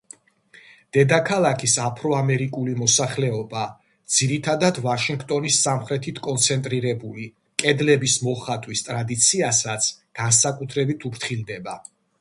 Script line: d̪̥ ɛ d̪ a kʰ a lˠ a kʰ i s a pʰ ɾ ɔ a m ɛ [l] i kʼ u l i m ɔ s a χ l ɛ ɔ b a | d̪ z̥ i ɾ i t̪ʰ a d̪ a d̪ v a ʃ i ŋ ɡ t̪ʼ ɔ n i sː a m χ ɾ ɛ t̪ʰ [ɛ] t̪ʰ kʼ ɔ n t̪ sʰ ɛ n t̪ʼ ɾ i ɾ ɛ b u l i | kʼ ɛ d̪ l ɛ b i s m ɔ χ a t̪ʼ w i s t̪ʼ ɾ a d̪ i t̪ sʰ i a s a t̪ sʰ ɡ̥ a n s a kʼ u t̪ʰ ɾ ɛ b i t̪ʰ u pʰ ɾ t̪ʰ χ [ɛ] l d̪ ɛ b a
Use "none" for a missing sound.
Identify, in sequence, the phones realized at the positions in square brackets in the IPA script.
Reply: ɾ, i, i

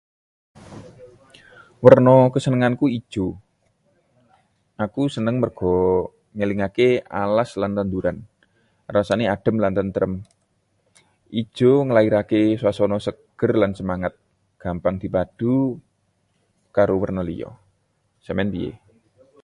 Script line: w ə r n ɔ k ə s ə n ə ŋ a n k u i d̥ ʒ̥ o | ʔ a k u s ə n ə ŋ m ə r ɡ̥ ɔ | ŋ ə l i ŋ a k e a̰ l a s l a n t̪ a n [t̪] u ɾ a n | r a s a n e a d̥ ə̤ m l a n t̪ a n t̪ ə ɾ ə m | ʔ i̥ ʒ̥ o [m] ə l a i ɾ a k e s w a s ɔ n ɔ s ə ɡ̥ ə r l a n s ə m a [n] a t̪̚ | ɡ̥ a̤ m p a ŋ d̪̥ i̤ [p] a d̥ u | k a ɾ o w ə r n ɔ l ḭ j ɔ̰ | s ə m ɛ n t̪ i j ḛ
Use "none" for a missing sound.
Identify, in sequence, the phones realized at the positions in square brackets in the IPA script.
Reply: d̪, ŋ, ŋ, p

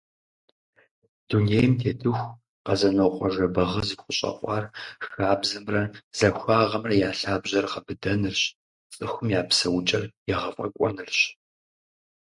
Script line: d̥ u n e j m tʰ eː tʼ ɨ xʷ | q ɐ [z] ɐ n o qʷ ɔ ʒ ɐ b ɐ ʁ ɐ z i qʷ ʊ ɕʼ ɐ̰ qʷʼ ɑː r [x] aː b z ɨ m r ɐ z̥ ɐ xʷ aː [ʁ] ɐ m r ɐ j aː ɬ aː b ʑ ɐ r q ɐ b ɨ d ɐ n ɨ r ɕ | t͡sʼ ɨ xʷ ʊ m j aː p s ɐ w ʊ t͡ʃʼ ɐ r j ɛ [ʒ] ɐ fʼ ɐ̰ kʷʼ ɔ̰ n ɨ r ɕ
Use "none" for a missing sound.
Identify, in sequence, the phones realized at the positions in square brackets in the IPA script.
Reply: z, x, ʁ, ʁ

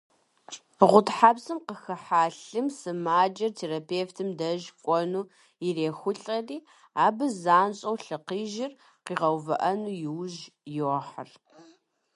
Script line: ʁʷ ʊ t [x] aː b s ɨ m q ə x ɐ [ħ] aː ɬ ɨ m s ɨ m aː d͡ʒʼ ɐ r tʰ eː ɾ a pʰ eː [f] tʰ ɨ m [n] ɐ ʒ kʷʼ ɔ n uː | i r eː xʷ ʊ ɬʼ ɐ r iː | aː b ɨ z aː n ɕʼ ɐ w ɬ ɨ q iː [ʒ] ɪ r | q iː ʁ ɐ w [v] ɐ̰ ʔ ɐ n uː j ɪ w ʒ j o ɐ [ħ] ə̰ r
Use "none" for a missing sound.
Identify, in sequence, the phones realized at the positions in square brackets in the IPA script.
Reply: ħ, ħ, f, d, ʒ, v, ħ

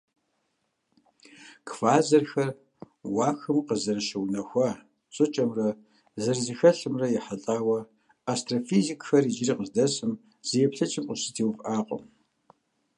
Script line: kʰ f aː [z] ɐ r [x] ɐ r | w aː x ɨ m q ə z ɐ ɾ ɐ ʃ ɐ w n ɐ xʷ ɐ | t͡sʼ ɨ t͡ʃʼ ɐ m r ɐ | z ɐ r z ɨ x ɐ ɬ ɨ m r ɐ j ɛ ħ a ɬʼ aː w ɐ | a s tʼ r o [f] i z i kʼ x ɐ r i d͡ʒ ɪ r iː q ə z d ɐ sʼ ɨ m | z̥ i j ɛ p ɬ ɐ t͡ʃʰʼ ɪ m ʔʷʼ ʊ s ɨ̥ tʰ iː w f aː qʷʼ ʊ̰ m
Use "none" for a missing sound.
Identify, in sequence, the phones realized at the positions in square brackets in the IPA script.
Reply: z, x, f

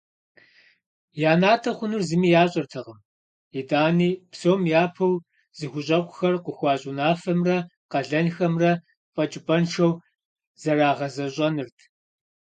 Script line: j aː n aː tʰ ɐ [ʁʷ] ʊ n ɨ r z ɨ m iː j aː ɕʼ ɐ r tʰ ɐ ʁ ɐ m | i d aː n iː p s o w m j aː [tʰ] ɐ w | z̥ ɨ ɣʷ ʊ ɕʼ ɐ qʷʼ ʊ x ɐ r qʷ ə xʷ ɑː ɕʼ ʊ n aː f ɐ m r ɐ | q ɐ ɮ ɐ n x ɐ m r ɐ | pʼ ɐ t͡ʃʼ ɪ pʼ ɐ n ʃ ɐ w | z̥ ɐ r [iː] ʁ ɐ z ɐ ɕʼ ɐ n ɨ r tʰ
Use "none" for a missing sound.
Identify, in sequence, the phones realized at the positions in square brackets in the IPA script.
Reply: χʷ, pʰ, aː

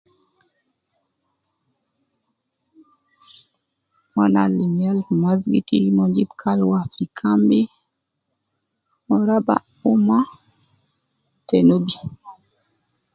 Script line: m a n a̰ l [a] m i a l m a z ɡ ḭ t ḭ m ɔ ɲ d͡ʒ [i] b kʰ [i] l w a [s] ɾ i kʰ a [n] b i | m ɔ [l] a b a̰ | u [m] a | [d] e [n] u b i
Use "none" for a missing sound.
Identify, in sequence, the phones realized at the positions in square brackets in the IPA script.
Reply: i, i, a, f, m, ɾ, m, t, n

